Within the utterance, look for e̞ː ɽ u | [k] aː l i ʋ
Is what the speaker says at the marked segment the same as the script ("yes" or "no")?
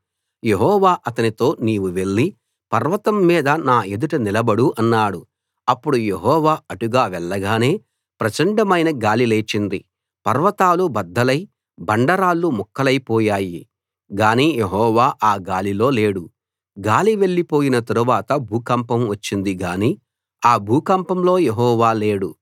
no